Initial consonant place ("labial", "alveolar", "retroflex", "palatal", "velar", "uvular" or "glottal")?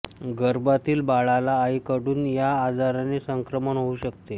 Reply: velar